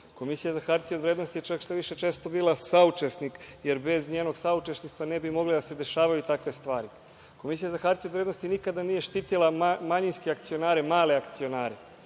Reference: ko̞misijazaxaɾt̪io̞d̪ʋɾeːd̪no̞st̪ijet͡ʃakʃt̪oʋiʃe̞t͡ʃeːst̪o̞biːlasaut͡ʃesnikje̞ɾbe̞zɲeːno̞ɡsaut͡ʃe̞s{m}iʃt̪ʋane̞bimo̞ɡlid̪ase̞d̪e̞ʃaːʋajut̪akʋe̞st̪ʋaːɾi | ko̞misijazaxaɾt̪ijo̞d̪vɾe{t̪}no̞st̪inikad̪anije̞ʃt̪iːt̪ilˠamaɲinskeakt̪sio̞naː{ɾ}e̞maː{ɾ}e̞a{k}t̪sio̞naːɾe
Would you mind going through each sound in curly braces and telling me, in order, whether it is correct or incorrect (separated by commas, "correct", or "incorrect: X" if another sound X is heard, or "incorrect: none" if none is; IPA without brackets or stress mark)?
incorrect: n, incorrect: d̪, correct, incorrect: l, correct